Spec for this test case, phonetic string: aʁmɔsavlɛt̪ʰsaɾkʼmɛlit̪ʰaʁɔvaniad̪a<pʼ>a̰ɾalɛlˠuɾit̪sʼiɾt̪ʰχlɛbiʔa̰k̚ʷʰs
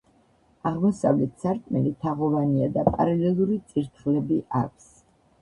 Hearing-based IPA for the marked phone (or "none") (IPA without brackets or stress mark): pʼ